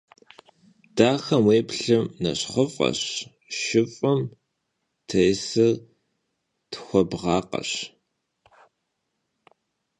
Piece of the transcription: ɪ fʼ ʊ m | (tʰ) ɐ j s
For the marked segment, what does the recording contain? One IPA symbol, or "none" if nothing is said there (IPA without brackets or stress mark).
tʰ